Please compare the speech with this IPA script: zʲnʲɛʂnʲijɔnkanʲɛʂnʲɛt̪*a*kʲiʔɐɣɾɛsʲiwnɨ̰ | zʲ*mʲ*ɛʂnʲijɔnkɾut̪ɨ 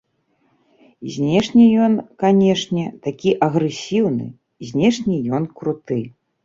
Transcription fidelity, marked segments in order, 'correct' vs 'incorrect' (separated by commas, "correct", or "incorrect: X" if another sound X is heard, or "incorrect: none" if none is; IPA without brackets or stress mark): correct, incorrect: nʲ